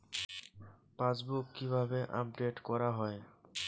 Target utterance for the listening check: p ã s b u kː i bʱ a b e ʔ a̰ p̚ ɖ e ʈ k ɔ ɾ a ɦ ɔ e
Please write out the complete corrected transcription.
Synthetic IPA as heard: p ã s b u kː i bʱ a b e ʔ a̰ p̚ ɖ e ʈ k ɔ ɾ a ɦ ɔ e